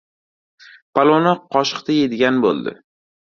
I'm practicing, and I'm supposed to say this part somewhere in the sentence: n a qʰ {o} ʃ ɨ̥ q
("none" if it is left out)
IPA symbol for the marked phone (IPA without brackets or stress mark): ɒ